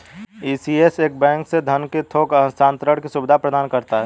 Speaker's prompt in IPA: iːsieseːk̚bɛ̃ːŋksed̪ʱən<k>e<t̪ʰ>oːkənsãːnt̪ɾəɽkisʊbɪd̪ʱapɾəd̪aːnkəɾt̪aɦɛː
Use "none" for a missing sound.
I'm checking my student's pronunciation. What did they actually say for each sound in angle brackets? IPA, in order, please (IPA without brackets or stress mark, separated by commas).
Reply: k, t̪ʰ